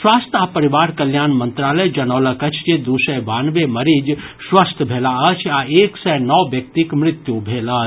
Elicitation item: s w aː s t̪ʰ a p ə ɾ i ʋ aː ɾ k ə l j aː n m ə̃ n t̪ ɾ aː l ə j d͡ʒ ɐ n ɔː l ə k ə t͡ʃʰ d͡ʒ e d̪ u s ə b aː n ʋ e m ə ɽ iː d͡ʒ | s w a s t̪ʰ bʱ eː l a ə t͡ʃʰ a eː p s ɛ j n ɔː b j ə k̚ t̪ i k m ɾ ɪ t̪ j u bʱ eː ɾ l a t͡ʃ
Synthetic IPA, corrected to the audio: s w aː s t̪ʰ a p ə ɾ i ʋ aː ɾ k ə l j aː n m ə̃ n t̪ ɾ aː l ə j d͡ʒ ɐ n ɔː l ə k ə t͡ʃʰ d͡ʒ e d̪ u s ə b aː n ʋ e m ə ɾ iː d͡ʒ | s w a s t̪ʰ bʱ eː l a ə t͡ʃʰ a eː k s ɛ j n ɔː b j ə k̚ t̪ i k m ɾ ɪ t̪ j u bʱ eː l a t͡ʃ